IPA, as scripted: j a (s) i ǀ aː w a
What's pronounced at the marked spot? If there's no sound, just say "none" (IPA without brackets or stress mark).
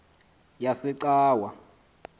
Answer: s